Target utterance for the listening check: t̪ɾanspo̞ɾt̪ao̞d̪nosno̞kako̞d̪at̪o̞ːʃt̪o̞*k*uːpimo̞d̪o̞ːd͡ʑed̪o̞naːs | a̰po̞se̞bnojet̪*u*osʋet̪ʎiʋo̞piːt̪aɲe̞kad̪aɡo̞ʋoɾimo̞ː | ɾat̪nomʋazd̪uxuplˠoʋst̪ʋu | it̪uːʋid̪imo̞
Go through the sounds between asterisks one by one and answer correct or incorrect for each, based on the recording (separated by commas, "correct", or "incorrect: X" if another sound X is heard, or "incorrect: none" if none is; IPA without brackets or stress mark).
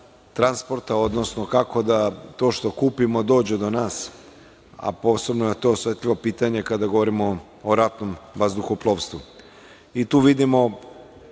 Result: correct, incorrect: o